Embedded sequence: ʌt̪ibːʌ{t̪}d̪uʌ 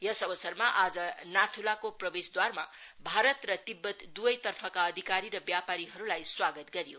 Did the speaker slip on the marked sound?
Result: no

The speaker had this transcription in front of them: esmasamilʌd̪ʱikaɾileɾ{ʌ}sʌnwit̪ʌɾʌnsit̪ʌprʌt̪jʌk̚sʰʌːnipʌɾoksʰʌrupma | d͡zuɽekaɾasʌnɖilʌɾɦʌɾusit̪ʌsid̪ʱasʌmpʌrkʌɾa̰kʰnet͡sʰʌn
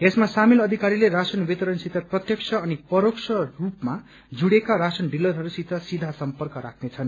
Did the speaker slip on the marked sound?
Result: yes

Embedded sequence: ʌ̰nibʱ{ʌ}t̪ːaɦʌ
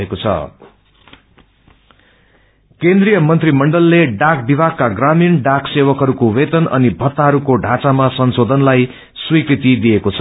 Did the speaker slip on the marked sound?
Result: no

